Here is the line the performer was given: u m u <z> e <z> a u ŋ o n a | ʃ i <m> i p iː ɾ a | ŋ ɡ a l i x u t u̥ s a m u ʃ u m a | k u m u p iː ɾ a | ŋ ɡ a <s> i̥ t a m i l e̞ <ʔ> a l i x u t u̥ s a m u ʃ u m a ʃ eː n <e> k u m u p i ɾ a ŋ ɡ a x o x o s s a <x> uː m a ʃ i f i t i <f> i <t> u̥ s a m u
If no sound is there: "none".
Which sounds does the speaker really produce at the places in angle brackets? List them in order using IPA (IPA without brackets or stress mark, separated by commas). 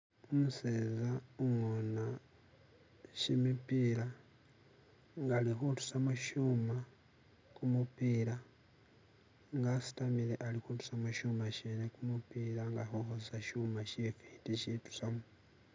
s, z, m, s, ʔ, e, ʃ, ʃ, t